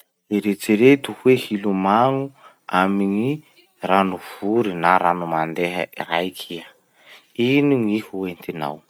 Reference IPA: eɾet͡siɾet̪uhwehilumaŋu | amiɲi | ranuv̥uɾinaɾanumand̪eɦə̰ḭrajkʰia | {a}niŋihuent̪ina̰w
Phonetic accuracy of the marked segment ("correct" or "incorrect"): incorrect